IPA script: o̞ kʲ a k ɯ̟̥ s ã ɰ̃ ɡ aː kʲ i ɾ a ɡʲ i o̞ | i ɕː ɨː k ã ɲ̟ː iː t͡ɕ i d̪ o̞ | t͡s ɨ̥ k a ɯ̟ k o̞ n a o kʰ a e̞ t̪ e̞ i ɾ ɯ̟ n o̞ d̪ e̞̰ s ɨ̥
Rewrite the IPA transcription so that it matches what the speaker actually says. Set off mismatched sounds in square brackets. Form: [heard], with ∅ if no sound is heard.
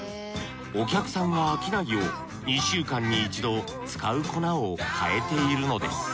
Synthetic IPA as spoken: o̞ kʲ a k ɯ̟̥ s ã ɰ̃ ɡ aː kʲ i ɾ a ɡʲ i o̞ | i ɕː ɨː k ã ɲ̟ː iː t͡ɕ i d̪ o̞ | t͡s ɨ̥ k a ɯ̟ k o̞ n a o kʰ a e̞ t̪ e̞ i ɾ ɯ̟ n o̞ d̪ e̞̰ s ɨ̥